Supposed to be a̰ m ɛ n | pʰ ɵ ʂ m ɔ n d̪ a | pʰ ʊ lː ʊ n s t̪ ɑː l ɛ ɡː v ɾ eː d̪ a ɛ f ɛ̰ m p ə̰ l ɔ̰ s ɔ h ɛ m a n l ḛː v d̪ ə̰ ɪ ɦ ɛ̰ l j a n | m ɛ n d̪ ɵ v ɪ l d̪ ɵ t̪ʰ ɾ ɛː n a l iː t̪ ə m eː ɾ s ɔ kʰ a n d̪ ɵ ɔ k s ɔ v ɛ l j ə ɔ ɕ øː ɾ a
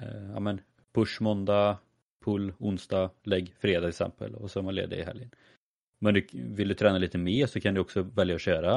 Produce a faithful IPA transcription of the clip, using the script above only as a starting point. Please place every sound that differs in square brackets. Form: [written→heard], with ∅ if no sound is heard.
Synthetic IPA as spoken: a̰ m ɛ n | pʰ ɵ ʂ m ɔ n d̪ a | pʰ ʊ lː ʊ n s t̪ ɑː l ɛ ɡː [v→f] ɾ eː d̪ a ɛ [f→s] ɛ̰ m p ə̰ l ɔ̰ s ɔ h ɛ m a n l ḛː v d̪ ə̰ ɪ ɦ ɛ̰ l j [a→ə] n | m ɛ n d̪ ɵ v ɪ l d̪ ɵ t̪ʰ ɾ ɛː n a l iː t̪ ə m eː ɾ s ɔ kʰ a n d̪ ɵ ɔ k s ɔ v ɛ l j [ə→a] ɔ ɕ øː ɾ a